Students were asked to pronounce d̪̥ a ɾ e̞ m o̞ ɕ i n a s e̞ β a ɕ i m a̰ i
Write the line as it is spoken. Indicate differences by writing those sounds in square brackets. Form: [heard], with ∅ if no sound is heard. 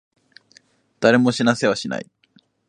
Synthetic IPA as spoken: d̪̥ a ɾ e̞ m o̞ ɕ i n a s e̞ β a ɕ i [n] a̰ i